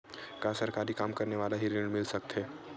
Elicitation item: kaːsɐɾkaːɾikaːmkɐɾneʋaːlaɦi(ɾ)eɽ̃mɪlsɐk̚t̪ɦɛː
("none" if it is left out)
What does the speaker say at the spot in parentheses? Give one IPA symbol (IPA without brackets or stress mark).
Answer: ɾ